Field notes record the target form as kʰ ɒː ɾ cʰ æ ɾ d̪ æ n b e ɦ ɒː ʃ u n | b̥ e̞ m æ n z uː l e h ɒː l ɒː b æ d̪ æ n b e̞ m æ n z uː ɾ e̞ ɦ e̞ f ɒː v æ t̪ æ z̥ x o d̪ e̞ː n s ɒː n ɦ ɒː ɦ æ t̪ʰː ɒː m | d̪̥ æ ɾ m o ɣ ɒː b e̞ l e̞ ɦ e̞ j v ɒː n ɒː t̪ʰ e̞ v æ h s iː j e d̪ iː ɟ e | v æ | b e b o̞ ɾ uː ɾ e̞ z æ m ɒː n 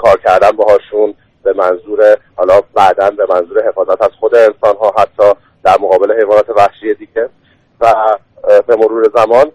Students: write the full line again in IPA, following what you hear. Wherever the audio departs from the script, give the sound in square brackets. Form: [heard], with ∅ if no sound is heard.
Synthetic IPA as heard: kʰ ɒː ɾ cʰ æ ɾ d̪ æ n b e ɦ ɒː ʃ u n | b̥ e̞ m æ n z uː [ɾ] e h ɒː l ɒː b æ d̪ æ n b e̞ m æ n z uː ɾ e̞ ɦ e̞ f ɒː [z] æ t̪ æ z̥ x o d̪ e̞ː n s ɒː n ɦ ɒː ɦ æ t̪ʰː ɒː [∅] | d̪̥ æ ɾ m o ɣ ɒː b e̞ l e̞ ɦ e̞ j v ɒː n ɒː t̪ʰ e̞ v æ h [ʃ] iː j e d̪ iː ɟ e | v æ | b e [m] o̞ ɾ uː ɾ e̞ z æ m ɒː n